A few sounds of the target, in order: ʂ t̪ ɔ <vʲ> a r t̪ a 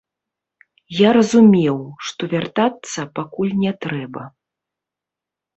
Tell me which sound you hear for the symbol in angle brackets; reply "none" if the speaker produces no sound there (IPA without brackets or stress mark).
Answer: vʲ